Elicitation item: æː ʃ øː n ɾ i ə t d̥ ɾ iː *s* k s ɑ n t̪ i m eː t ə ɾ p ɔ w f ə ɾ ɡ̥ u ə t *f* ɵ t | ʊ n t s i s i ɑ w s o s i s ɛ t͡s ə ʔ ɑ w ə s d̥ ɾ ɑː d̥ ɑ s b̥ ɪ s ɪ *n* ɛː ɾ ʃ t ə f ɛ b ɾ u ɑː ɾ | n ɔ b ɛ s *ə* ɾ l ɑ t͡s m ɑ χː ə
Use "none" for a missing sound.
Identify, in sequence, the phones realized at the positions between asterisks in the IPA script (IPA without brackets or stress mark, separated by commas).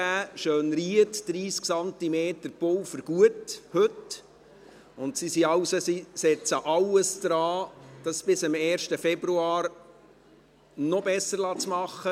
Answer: s, h, m, ə